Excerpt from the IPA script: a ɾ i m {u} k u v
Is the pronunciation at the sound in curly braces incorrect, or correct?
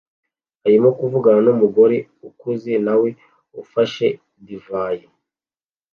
incorrect